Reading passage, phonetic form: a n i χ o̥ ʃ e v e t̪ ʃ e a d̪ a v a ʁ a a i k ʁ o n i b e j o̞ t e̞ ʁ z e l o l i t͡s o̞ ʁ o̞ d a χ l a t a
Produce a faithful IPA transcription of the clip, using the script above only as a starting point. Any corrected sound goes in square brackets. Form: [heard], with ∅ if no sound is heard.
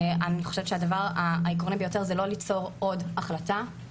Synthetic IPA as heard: a n i χ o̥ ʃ e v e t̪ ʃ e a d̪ a v a ʁ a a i k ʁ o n i b e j o̞ t e̞ ʁ z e l o l i t͡s o̞ ʁ o̞ d a χ l a t a